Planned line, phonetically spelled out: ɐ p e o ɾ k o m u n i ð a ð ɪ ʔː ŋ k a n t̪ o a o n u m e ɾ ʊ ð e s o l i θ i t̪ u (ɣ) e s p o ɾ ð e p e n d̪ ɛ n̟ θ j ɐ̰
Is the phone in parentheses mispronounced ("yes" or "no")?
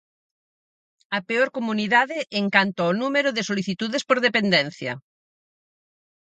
yes